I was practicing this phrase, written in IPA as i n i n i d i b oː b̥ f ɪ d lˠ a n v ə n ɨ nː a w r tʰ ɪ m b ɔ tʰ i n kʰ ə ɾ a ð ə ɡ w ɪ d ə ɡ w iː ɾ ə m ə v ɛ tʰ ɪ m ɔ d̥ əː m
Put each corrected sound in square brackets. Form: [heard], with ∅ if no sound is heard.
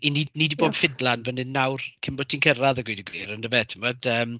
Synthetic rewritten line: i n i n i d i b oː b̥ f ɪ d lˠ a n v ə n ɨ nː a w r [kʰ] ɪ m b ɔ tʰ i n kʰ ə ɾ a ð ə ɡ w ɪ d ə ɡ w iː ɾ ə [n] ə v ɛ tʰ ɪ m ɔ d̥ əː m